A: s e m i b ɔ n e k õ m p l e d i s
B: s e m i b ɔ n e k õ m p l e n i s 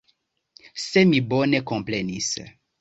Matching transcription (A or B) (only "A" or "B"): B